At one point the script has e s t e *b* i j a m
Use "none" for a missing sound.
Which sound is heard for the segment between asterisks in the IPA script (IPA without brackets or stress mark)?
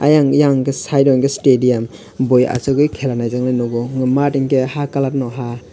d